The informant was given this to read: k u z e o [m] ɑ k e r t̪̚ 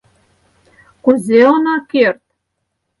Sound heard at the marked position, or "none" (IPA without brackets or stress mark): n